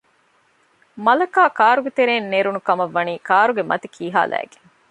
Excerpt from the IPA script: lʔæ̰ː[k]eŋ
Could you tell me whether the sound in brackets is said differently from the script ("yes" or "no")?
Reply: yes